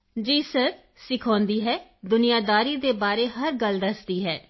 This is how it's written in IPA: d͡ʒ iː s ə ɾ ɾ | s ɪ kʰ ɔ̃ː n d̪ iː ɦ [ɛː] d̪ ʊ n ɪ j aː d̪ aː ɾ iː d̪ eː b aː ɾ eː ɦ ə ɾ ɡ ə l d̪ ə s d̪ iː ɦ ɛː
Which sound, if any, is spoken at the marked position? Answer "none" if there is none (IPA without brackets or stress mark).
ɛː